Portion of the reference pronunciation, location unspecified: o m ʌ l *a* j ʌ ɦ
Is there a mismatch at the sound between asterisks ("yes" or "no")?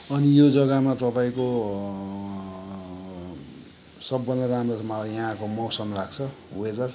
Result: no